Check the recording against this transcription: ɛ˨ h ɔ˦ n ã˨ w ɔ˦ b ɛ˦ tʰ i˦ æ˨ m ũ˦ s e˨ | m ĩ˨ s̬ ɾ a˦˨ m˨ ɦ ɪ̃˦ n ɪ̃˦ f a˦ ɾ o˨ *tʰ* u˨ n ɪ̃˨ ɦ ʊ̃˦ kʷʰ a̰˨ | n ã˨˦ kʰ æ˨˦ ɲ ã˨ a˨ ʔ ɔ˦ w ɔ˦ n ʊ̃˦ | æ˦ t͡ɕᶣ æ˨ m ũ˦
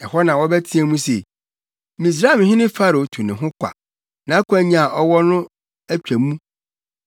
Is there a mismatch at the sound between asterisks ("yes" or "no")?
no